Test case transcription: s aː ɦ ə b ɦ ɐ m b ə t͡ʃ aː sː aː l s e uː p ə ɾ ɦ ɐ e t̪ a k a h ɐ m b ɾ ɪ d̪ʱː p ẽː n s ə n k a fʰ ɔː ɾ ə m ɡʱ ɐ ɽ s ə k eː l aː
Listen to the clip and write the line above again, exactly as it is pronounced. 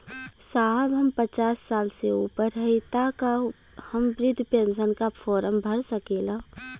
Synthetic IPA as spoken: s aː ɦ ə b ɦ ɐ m p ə t͡ʃ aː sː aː l s e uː p ə ɾ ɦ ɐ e t̪ a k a h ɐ m b ɾ ɪ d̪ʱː p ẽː n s ə n k a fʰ ɔː ɾ ə m bʱ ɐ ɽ s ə k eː l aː